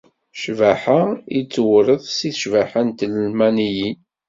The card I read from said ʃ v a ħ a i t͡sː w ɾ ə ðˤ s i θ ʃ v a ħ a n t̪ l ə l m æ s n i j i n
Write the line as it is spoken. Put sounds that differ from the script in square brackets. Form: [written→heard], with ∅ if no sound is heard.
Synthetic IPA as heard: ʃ v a ħ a i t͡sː w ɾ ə ðˤ s i θ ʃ v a ħ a n t̪ l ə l m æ [s→∅] n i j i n